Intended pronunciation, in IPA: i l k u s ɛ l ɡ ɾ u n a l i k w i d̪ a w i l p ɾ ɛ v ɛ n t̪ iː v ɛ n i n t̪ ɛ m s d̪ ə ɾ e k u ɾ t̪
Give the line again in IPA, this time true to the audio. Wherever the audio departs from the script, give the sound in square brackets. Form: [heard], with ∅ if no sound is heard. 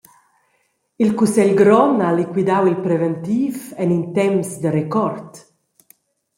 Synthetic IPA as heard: i l k u s ɛ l ɡ ɾ [ɔ] n a l i k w i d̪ a w i l p ɾ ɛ v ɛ n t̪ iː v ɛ n i n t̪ ɛ m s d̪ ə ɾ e k [ɔ] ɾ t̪